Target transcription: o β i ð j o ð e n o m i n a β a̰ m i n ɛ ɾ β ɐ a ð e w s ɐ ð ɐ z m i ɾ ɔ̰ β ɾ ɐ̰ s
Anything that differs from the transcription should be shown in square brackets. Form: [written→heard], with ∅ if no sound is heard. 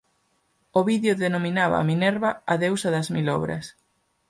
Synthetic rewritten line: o β i ð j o ð e n o m i n a β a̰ m i n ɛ ɾ β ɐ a ð e w s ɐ ð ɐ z m i [ɾ→l] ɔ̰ β ɾ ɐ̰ s